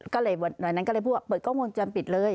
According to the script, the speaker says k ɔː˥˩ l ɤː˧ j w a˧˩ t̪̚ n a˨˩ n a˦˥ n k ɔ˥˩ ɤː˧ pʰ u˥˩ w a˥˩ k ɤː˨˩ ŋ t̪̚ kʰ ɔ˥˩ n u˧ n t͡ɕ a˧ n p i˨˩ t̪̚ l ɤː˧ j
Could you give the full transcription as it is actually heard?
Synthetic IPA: k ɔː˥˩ l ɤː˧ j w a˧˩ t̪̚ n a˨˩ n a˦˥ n k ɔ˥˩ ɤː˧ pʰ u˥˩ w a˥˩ p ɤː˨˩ t̪̚ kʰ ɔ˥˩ ŋ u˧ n t͡ɕ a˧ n p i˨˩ t̪̚ l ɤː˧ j